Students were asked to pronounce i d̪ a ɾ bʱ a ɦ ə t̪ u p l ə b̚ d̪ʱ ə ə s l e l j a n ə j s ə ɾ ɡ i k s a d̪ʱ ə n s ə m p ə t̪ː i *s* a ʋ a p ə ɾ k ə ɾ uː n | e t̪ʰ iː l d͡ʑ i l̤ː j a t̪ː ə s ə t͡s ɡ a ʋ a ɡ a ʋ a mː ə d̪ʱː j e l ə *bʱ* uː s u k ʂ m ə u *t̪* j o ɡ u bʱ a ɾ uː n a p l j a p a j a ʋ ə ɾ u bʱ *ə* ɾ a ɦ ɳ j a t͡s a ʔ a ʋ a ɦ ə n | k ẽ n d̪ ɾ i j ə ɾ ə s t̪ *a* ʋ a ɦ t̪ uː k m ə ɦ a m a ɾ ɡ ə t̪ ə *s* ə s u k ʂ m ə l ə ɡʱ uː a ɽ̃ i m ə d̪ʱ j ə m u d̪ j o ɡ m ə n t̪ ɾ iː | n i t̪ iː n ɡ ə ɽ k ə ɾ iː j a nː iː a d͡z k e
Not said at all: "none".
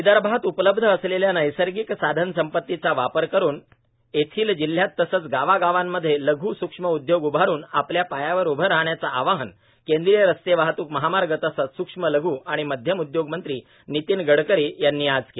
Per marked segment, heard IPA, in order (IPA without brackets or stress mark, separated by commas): t͡s, ɡʱ, d̪, ə, e, s